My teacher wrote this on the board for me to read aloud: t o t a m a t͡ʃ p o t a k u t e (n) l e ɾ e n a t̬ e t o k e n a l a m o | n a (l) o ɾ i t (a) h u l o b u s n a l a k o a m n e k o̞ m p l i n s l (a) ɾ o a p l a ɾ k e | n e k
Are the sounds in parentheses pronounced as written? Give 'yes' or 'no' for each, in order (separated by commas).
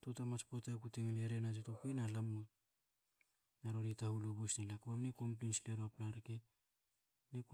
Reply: no, no, yes, no